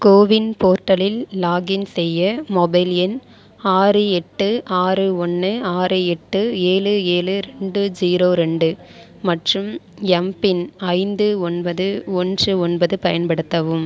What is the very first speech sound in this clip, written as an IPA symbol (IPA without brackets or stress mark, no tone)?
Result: k